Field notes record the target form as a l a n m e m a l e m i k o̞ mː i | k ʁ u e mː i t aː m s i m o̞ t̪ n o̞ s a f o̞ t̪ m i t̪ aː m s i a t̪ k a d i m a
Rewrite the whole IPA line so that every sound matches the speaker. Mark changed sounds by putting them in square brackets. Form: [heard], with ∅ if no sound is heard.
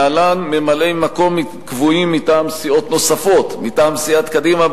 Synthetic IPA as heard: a l a n m e m a l e m [a] k o̞ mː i | k [v] u [i] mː i t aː m s i [∅] o̞ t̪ n o̞ s a f o̞ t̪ m i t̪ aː m s i a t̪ k a d i m a